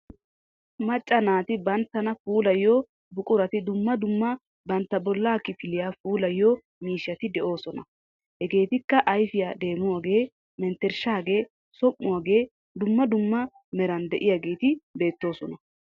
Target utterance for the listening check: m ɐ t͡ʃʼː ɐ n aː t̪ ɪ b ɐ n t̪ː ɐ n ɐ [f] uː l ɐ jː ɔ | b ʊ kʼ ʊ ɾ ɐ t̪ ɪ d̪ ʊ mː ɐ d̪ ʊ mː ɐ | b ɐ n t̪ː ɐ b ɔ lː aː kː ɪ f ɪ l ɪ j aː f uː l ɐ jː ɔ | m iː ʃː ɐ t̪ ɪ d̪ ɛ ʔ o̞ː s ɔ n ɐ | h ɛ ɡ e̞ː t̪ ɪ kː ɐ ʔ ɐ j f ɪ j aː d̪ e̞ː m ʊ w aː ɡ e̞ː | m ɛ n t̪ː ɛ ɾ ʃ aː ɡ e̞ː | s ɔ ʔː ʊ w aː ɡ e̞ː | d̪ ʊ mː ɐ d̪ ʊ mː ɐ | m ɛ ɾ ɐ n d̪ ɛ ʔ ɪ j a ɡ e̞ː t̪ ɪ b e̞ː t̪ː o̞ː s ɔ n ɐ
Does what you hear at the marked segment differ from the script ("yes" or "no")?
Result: no